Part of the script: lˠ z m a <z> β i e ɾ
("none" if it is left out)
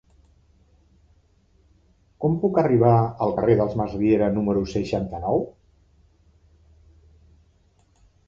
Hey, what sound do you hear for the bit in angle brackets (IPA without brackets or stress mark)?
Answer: z